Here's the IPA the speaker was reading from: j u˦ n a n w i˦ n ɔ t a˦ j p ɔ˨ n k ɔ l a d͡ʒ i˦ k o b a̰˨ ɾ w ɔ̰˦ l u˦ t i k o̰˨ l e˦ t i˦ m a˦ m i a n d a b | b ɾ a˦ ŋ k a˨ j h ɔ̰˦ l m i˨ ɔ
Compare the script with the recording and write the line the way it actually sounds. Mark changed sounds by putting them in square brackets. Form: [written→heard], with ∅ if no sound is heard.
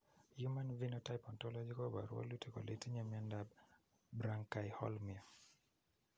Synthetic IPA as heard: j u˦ [n→m] a n [w→v] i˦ n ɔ t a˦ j p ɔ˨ n [k→t] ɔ l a d͡ʒ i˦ k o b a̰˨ ɾ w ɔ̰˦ l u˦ t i k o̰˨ l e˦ t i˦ [m→ɲ] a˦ m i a n d a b | b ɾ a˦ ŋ k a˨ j h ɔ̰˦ l m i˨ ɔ